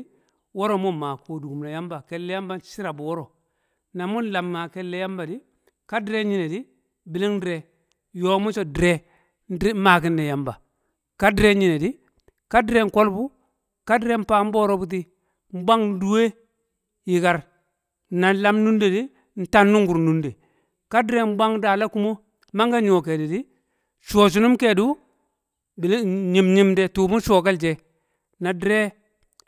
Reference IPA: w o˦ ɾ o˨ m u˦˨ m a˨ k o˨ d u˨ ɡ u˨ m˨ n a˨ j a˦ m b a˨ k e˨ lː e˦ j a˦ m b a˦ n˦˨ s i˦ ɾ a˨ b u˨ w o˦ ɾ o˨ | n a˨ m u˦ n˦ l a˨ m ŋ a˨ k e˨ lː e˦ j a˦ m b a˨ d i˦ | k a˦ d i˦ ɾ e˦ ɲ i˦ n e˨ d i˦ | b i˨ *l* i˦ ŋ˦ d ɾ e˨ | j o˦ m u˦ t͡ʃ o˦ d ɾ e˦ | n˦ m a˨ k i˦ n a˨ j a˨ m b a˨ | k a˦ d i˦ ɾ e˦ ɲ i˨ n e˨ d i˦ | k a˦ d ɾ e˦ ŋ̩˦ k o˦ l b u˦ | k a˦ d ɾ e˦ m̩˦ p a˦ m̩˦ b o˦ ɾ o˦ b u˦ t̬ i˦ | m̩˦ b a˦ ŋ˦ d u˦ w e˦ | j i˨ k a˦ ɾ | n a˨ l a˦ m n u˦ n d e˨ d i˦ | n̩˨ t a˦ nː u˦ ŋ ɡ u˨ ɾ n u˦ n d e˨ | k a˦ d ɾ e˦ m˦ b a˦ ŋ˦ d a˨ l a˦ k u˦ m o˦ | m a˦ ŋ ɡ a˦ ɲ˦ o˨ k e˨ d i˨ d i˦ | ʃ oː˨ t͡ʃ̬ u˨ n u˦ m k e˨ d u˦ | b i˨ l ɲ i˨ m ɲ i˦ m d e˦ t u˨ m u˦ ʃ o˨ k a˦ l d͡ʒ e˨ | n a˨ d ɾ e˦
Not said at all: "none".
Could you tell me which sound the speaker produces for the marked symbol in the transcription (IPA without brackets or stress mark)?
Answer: l